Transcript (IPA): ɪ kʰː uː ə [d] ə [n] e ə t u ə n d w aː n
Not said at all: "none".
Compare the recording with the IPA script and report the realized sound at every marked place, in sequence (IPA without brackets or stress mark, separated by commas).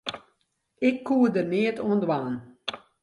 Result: d, n